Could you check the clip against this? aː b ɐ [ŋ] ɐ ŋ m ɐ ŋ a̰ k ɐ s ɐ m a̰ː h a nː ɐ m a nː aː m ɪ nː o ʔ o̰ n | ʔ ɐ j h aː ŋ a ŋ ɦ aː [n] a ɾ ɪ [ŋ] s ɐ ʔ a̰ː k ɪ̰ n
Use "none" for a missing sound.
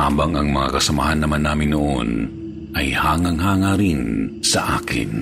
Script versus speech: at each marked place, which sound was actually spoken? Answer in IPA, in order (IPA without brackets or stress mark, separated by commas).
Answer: ŋ, ŋ, n